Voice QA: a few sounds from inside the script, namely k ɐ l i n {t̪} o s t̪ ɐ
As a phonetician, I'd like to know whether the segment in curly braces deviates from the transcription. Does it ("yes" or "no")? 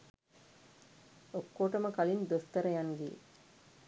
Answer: yes